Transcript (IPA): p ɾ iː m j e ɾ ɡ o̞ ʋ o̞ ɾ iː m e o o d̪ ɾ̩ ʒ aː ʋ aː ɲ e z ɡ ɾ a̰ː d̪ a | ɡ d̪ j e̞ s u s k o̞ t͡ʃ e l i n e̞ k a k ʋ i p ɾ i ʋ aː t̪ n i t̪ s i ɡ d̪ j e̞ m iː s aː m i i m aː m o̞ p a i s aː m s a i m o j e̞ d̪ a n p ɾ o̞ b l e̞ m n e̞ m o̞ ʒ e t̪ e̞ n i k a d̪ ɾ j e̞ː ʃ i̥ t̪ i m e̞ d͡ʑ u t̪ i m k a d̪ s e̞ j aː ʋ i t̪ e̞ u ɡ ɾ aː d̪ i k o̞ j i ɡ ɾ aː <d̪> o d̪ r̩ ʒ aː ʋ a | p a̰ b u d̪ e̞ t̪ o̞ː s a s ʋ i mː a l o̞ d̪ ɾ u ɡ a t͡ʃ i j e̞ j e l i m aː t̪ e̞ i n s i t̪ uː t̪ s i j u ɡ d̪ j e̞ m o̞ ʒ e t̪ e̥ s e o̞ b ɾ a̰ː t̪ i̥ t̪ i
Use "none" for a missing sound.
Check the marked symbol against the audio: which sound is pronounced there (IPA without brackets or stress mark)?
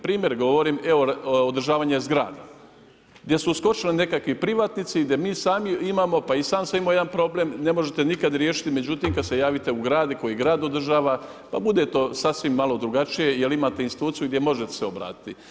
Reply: d̪